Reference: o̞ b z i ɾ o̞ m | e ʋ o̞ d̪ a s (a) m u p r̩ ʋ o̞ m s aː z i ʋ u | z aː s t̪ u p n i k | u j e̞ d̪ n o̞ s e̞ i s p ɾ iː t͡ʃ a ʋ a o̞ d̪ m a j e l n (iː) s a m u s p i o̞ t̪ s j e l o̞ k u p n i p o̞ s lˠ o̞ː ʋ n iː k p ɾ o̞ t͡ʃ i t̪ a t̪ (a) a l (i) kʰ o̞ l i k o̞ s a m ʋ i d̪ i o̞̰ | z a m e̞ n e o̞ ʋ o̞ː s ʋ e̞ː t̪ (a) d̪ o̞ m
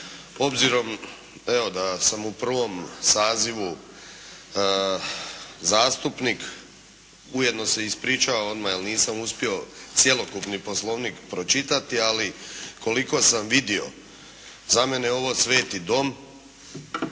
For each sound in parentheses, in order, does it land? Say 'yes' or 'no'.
yes, yes, no, yes, no

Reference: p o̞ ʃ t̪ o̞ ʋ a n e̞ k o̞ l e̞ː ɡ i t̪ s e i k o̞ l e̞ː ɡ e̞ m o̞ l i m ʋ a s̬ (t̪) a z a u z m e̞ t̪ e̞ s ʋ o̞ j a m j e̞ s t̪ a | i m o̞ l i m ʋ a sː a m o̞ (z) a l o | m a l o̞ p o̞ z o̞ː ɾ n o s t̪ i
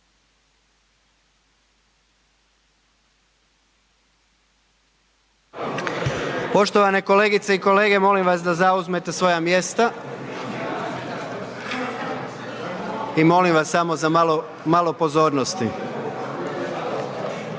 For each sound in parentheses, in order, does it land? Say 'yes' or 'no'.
no, yes

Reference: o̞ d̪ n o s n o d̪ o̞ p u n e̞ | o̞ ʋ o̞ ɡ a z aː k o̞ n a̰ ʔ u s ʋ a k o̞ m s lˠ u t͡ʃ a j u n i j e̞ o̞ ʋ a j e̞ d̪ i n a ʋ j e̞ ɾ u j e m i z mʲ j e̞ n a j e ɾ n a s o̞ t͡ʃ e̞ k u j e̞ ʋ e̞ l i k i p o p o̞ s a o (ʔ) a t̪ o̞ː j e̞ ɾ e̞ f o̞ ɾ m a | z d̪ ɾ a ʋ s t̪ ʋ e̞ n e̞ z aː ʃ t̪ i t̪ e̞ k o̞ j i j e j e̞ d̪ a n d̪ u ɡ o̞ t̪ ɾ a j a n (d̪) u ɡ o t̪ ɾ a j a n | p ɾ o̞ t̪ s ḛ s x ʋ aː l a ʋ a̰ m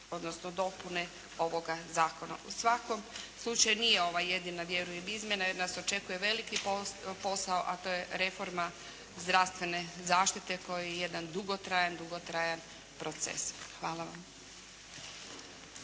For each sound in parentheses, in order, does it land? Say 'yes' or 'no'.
yes, yes

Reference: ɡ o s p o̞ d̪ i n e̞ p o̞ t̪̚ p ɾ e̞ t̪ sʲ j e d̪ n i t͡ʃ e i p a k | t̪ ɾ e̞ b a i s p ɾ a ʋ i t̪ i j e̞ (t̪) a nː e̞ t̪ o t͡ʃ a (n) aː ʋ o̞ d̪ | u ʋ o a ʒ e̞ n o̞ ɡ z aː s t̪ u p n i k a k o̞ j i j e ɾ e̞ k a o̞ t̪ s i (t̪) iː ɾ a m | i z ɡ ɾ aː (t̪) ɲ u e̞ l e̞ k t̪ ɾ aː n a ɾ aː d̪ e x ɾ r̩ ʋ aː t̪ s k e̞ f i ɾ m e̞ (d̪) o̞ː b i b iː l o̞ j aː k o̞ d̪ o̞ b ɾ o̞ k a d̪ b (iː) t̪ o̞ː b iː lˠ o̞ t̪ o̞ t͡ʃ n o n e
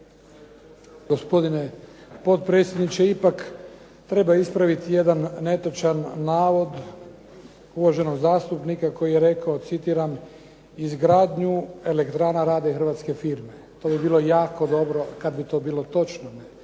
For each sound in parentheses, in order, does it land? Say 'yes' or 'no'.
no, no, yes, no, no, no

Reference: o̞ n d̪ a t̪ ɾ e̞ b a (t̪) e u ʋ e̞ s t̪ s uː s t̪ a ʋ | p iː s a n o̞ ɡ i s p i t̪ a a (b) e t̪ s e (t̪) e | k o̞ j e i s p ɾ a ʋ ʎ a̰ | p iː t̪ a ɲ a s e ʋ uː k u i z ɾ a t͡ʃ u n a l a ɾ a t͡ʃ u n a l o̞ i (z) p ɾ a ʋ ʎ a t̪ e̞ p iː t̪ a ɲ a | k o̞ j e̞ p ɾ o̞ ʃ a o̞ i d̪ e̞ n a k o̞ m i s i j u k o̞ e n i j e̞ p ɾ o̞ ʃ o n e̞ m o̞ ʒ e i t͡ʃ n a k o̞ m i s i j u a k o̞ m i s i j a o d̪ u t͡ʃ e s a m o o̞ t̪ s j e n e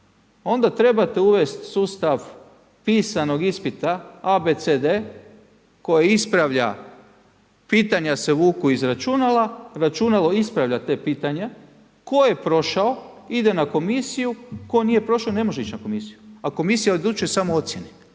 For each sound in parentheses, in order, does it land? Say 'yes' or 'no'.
yes, yes, no, no

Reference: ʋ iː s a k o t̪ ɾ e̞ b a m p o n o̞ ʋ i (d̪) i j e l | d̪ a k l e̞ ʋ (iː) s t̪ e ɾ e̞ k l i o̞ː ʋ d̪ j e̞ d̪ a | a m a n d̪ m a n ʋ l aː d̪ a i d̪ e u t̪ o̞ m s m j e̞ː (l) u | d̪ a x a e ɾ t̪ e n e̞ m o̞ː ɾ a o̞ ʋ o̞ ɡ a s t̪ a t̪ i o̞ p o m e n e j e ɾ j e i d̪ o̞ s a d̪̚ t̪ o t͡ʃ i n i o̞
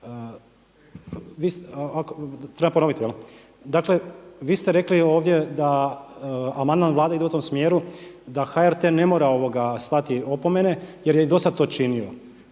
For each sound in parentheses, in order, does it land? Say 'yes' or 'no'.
no, yes, no

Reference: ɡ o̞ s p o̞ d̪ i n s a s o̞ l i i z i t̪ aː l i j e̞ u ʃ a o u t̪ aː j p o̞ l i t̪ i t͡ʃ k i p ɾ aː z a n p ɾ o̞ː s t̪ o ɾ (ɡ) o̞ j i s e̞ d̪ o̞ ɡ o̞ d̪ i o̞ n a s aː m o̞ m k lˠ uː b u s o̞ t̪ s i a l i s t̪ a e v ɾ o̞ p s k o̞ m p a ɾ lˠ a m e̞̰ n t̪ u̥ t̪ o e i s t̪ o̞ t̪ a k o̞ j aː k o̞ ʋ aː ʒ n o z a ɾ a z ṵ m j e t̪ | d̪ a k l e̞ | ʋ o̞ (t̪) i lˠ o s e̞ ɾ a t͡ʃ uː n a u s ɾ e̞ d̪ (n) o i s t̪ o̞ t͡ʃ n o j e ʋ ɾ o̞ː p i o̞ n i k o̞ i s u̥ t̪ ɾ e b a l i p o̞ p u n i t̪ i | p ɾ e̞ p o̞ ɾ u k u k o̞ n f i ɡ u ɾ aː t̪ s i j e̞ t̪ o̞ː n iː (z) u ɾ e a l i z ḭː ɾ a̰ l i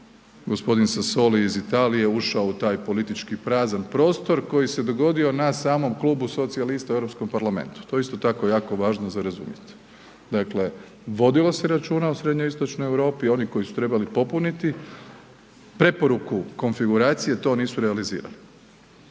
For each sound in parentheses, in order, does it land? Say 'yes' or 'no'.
no, no, no, no

